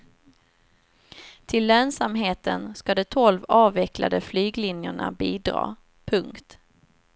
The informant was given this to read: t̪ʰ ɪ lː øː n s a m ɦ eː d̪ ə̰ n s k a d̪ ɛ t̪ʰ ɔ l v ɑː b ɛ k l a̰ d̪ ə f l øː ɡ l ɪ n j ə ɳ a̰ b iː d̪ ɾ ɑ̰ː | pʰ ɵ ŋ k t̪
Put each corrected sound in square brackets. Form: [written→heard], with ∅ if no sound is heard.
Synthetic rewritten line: t̪ʰ ɪ lː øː n s a m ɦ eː [d̪→t̪] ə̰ n s k a d̪ ɛ t̪ʰ ɔ l v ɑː [b→v] ɛ k l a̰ d̪ ə f l [øː→yː] ɡ l ɪ n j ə ɳ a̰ b iː d̪ ɾ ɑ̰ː | pʰ ɵ ŋ k t̪